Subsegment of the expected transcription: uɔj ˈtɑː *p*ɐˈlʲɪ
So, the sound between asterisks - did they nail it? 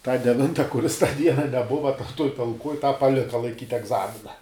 yes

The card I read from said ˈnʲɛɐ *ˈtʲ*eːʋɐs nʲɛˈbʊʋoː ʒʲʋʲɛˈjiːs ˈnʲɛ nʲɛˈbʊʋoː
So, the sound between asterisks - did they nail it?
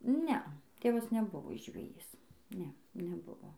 yes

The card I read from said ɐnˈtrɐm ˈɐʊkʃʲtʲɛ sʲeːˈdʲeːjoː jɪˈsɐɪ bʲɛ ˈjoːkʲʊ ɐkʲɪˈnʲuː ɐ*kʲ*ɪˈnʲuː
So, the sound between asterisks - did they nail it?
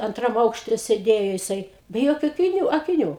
yes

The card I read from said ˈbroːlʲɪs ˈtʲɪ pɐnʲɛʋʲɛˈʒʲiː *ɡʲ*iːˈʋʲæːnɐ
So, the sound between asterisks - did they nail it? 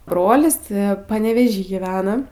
yes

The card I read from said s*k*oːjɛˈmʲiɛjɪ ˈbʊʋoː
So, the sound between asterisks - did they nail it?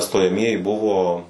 no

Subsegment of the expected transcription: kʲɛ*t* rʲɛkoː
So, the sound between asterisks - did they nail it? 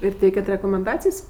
yes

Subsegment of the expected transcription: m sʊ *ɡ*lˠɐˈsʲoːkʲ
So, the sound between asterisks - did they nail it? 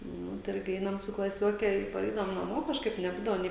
no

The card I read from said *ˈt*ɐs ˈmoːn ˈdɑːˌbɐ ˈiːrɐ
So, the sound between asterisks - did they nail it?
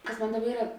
no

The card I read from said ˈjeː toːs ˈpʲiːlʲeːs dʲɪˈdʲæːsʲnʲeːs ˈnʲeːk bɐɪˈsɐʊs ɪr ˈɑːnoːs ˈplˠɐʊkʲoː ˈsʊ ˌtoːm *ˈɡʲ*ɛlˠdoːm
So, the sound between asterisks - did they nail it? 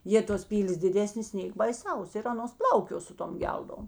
yes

